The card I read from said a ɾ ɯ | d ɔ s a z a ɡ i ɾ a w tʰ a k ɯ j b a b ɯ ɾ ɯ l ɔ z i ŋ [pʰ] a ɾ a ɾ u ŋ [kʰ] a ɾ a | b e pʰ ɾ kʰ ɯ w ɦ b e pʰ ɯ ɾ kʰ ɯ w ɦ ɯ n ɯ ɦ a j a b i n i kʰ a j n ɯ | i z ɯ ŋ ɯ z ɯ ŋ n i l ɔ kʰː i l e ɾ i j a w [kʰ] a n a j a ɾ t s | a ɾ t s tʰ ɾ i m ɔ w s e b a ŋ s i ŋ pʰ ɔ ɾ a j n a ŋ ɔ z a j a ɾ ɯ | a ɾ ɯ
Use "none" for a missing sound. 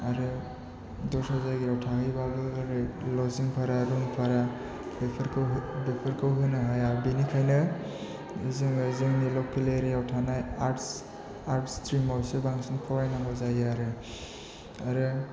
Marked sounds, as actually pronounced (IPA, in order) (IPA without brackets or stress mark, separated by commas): pʰ, pʰ, tʰ